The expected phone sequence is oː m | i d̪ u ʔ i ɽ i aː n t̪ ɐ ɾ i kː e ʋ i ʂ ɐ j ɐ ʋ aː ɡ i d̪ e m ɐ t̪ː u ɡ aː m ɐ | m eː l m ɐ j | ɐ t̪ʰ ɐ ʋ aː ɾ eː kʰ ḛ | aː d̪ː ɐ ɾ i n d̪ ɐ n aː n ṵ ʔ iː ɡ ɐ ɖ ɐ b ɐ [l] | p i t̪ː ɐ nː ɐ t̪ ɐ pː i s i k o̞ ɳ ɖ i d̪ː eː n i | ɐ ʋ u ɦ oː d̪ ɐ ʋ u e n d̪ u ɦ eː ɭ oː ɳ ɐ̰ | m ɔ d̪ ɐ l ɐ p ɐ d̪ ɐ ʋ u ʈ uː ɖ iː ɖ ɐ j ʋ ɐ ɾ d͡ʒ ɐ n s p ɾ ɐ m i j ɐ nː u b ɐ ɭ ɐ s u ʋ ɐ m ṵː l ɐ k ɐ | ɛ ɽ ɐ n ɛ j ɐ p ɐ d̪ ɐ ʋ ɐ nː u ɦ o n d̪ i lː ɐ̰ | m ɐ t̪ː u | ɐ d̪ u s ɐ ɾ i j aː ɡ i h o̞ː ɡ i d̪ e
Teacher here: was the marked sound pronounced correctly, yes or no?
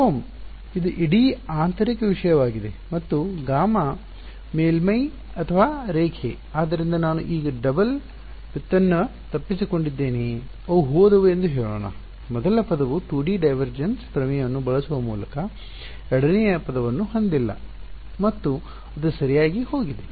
yes